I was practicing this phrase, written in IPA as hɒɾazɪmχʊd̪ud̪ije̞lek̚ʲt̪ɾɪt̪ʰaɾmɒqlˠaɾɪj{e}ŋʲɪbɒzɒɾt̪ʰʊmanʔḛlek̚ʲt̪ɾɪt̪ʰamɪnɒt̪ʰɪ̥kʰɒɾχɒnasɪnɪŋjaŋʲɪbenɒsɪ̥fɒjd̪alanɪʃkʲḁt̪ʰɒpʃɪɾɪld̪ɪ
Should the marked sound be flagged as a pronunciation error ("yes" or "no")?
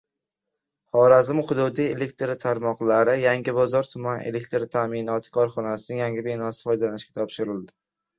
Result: yes